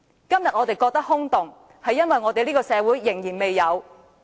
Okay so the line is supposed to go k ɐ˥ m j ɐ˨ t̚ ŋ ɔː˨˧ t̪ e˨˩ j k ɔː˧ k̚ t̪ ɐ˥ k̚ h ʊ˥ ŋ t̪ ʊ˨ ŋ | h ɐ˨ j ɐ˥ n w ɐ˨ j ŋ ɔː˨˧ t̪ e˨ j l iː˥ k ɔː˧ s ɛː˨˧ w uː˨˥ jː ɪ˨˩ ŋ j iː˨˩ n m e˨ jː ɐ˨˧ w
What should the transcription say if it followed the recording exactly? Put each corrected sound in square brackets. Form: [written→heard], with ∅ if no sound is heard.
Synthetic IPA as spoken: k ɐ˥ m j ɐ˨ t̚ ŋ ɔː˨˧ t̪ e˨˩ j k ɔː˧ k̚ t̪ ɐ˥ k̚ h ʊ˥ ŋ t̪ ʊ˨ ŋ | h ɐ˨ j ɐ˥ n w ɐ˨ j ŋ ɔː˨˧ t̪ e˨ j l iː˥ k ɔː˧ s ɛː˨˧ w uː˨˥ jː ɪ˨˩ ŋ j iː˨˩ n m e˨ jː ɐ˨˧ w